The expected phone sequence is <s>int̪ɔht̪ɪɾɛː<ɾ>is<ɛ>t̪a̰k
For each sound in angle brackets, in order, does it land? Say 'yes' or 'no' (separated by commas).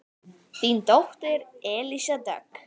no, no, no